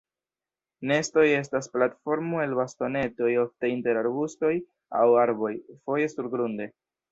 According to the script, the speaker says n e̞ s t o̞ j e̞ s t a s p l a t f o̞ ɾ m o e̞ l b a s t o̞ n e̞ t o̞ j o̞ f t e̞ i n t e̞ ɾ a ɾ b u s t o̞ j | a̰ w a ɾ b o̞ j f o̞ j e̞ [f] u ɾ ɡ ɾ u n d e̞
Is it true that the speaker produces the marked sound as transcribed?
no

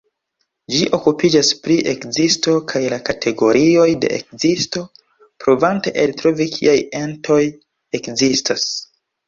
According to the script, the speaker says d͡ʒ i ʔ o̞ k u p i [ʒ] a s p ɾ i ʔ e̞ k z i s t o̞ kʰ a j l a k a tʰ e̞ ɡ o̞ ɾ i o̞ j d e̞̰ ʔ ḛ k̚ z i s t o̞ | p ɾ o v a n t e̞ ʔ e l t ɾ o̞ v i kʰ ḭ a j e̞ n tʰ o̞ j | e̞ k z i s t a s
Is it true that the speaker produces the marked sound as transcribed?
no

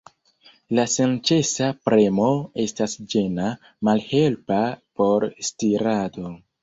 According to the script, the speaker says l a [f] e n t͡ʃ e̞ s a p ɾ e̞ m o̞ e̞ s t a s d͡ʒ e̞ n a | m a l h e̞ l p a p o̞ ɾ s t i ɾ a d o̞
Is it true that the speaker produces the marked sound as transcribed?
no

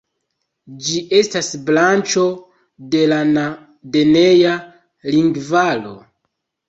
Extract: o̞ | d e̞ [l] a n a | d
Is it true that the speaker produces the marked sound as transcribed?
yes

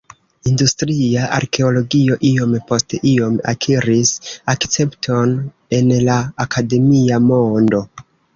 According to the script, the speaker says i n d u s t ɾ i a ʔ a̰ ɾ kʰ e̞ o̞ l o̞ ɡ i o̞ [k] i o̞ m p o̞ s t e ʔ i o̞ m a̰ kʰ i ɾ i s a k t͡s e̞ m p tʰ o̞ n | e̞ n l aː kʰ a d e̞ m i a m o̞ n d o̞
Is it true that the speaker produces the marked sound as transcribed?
no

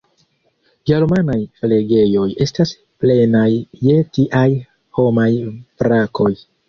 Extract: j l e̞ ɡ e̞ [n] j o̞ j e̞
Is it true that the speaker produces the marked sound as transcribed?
no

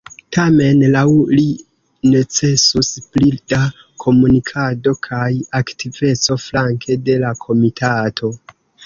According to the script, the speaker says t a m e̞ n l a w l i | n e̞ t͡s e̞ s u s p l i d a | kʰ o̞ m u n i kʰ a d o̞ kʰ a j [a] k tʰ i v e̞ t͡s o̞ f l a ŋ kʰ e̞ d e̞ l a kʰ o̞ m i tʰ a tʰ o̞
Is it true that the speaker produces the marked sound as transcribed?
yes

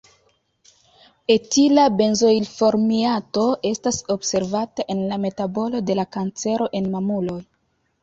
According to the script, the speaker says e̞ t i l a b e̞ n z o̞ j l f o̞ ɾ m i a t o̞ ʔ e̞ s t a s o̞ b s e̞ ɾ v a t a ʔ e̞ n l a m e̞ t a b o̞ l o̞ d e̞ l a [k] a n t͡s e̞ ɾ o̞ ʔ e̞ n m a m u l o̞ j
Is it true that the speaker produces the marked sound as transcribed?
yes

